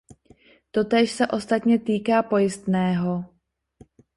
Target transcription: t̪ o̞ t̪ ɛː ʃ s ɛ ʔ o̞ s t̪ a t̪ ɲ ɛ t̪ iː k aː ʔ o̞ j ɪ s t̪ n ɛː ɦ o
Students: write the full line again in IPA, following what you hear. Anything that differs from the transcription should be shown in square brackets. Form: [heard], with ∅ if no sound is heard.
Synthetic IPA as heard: t̪ o̞ t̪ ɛː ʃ s ɛ ʔ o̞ s t̪ a t̪ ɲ ɛ t̪ iː k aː [p] o̞ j ɪ s t̪ n ɛː ɦ o